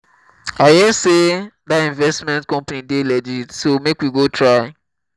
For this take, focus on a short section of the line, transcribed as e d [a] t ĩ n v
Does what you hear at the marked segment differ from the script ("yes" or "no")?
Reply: no